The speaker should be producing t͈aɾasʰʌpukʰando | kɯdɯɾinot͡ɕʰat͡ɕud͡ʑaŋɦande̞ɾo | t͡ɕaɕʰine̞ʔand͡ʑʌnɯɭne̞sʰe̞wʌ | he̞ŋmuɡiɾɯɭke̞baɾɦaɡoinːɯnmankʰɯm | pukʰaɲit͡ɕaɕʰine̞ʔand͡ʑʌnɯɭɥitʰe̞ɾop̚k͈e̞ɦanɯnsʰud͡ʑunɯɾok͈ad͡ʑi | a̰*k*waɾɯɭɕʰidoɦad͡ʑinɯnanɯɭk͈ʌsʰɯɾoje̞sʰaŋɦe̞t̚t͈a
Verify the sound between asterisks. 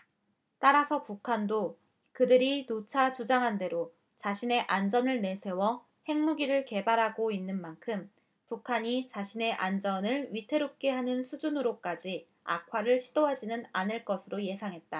incorrect: kʰ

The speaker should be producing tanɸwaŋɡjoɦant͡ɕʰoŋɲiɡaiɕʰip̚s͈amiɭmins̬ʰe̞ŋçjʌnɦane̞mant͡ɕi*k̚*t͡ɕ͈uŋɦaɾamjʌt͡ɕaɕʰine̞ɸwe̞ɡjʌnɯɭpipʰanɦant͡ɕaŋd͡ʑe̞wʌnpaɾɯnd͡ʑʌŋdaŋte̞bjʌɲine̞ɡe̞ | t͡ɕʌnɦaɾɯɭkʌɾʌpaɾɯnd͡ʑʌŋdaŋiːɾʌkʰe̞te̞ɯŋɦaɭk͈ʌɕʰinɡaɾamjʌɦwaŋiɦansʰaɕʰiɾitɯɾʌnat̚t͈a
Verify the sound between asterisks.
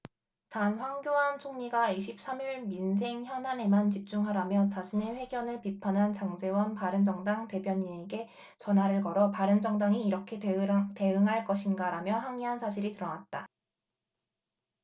incorrect: p̚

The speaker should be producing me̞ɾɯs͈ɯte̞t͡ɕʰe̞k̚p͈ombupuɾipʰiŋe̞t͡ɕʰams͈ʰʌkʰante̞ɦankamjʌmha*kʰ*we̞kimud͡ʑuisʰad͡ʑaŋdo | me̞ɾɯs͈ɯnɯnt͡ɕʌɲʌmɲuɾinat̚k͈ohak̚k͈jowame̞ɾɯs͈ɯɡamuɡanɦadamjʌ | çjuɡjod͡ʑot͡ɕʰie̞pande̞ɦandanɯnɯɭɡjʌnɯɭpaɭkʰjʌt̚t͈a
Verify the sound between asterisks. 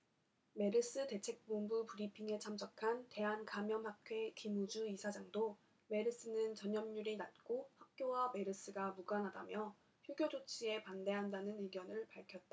correct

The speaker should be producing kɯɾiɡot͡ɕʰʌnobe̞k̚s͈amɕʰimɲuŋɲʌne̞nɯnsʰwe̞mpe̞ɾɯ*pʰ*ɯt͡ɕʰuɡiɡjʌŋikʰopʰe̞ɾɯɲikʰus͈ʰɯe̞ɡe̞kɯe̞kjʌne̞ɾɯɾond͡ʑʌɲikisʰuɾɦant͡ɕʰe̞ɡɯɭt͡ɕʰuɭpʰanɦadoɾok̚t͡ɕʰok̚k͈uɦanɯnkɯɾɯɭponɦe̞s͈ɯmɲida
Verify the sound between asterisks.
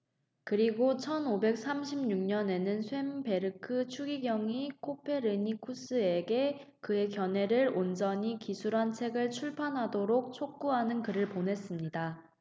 incorrect: kʰ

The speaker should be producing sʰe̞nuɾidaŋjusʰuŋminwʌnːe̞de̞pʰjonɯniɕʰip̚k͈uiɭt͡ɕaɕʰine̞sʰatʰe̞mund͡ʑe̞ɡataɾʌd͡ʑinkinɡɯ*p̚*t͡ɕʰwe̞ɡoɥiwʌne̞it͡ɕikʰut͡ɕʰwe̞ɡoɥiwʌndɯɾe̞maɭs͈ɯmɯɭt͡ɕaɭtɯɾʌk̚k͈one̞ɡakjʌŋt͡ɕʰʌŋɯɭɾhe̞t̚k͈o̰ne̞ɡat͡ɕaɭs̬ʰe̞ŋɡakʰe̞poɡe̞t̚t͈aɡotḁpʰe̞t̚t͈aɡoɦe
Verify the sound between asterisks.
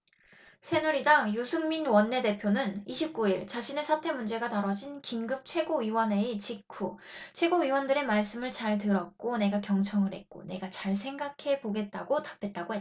correct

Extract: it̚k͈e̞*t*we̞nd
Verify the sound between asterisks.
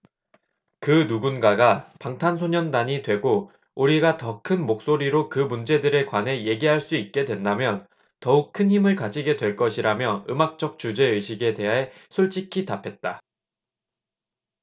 incorrect: d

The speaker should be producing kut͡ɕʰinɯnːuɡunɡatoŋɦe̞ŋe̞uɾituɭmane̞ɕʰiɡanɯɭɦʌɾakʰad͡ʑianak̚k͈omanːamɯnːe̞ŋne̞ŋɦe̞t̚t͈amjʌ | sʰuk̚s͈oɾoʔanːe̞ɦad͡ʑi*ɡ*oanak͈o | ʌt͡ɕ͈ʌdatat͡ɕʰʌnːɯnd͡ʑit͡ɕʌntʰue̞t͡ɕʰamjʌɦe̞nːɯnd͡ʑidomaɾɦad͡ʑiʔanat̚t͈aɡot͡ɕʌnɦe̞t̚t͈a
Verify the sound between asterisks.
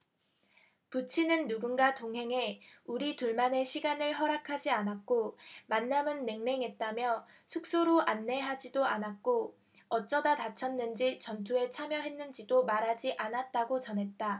incorrect: d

